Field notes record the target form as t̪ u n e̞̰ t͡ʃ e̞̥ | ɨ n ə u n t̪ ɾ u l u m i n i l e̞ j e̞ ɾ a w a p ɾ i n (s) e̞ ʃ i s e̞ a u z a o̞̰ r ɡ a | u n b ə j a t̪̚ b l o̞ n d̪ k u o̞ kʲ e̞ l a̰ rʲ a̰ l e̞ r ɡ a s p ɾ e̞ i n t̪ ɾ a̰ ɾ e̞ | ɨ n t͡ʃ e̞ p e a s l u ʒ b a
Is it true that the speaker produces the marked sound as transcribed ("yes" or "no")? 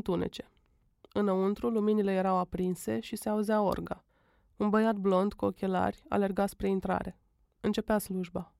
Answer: yes